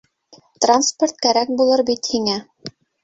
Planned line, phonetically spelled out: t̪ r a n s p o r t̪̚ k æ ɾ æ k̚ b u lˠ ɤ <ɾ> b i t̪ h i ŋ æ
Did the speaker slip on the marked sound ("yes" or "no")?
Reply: no